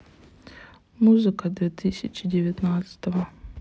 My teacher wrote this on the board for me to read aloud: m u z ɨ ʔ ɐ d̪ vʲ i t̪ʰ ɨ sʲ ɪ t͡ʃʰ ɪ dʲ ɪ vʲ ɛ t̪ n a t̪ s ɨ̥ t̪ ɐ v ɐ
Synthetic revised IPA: m u z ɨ k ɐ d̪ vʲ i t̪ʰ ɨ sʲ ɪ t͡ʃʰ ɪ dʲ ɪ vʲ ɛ t̪ n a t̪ s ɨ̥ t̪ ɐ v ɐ